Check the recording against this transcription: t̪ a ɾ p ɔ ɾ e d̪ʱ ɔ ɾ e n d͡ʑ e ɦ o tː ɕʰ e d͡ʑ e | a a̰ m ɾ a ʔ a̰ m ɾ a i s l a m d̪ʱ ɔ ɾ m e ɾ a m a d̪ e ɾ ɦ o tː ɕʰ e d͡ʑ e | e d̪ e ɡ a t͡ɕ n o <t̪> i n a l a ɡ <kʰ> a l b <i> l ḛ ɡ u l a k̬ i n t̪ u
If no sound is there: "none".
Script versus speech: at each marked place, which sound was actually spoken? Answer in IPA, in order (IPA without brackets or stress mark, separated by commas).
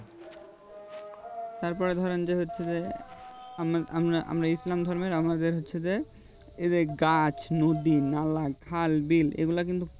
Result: d̪, kʰ, i